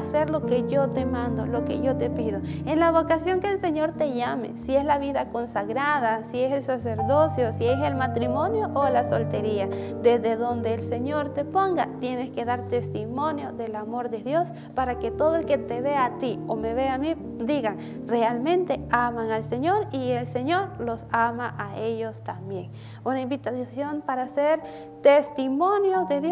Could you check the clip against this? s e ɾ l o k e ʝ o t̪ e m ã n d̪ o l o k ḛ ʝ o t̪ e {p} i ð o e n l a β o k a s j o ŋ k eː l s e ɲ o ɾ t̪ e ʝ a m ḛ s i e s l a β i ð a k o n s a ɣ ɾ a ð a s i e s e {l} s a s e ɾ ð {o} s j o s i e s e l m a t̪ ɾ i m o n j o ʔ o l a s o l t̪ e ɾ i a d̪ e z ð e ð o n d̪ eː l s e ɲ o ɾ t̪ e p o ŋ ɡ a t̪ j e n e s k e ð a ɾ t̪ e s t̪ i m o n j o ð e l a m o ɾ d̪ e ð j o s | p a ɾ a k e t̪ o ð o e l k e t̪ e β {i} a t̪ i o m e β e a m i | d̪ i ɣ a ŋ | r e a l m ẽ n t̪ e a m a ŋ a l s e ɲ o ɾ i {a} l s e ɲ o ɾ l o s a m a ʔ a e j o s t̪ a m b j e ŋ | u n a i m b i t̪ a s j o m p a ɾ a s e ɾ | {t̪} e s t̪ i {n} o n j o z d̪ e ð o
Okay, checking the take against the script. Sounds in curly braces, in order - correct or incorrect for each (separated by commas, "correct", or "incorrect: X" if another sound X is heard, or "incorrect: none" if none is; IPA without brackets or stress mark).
correct, correct, correct, incorrect: e, incorrect: e, correct, incorrect: m